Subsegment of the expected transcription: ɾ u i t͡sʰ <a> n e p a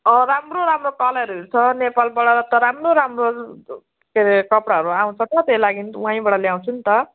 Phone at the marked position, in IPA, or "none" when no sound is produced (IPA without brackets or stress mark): ʌ